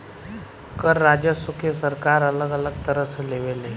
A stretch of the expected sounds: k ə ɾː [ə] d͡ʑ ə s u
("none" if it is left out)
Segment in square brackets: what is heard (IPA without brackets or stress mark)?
a